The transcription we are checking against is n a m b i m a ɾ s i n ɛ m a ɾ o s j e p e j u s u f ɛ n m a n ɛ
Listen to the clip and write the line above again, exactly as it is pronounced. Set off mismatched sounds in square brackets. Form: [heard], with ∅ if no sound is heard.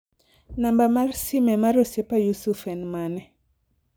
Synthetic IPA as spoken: n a m b [a] m a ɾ s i [m] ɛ m a ɾ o s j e p [a] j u s u f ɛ n m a n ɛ

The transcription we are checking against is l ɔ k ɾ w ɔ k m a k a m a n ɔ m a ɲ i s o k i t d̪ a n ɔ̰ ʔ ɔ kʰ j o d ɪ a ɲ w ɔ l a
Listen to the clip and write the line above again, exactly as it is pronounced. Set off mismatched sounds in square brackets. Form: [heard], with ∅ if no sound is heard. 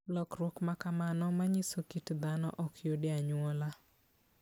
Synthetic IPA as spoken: l ɔ k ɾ w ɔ k m a k a m a n ɔ m a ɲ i s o k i t d̪ a n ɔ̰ ʔ ɔ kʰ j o d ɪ a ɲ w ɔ l a

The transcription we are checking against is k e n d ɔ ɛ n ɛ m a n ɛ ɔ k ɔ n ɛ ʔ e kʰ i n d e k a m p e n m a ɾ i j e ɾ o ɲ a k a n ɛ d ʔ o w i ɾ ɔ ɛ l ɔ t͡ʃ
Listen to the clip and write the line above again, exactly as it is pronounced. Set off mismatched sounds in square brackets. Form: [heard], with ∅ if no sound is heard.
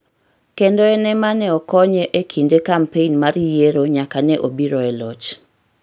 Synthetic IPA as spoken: k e n d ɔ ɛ n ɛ m a n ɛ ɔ k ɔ [ɲ] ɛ ʔ e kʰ i n d e k a m p e n m a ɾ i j e ɾ o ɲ a k a n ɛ [∅] ʔ o [b] i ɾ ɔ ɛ l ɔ t͡ʃ

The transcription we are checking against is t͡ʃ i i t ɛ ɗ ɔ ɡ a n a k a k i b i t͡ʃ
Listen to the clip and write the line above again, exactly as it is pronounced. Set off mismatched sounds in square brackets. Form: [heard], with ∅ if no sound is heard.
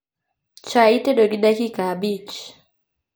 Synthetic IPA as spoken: t͡ʃ [a] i t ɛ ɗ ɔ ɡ [i] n a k [i] k [a] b i t͡ʃ

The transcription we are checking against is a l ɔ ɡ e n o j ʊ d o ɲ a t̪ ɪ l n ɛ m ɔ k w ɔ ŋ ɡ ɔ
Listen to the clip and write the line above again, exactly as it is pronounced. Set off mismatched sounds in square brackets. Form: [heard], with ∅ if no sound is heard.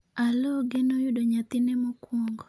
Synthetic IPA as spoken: a l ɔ ɡ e n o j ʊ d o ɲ a t̪ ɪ [∅] n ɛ m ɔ k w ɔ ŋ ɡ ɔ

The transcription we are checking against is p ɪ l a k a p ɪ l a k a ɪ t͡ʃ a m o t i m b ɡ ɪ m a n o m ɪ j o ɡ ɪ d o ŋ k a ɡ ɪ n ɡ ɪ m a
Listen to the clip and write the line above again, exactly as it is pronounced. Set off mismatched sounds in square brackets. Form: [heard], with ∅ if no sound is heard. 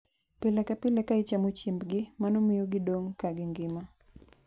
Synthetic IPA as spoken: p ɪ l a k a p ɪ l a k a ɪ t͡ʃ a m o [t͡ʃ] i m b ɡ ɪ m a n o m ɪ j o ɡ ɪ d o ŋ k a ɡ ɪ [ŋ] ɡ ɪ m a

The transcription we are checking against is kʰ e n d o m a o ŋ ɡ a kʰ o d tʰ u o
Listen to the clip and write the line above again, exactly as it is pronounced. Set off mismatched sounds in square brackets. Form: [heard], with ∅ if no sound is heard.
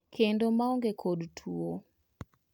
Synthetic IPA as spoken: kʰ e n d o m a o ŋ ɡ [e] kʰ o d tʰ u o

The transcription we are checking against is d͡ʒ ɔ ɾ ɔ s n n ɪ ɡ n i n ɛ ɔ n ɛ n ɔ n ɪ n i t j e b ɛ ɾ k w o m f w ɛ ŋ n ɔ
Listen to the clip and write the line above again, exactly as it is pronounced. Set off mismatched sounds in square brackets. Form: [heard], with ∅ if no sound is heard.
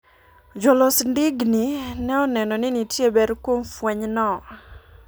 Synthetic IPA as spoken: d͡ʒ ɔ [l] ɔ s n [d] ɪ ɡ n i n ɛ ɔ n ɛ n ɔ n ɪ n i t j e b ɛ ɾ k w o m f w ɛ [ɲ] n ɔ

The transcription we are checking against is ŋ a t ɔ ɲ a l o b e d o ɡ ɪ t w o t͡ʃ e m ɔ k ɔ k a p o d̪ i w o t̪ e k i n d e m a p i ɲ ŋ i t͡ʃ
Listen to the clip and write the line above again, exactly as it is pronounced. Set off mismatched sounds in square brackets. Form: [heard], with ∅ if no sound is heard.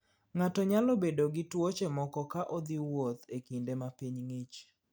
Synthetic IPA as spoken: ŋ a t ɔ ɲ a l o b e d o ɡ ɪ t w o t͡ʃ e m ɔ k ɔ k a [ʔ] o d̪ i w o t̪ e k i n d e m a p i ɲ ŋ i t͡ʃ

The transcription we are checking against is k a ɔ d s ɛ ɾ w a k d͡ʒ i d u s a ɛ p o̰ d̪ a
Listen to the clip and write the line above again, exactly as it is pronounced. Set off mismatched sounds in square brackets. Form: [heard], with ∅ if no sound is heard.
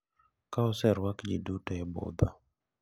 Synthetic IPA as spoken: k a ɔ [∅] s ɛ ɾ w a k d͡ʒ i d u [t] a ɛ [b] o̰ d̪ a

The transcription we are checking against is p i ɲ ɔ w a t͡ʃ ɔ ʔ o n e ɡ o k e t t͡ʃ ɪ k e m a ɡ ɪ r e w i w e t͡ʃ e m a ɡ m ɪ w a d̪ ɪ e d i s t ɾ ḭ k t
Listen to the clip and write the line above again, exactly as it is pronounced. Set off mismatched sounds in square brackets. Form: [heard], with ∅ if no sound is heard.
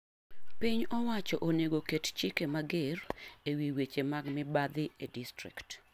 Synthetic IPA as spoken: p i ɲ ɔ w a t͡ʃ ɔ ʔ o n e ɡ o k e t t͡ʃ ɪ k e m a ɡ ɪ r e w i w e t͡ʃ e m a ɡ m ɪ [b] a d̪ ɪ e d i s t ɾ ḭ k t

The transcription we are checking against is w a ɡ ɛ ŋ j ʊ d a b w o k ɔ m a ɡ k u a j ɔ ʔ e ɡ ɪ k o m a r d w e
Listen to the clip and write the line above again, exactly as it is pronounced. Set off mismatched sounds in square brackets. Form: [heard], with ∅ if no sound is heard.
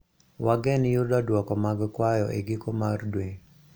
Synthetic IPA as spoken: w a ɡ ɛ [n] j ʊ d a [d] w [ɔ] k ɔ m a ɡ k [w] a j ɔ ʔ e ɡ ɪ k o m a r d w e

